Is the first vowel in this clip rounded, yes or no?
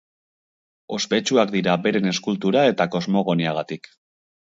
yes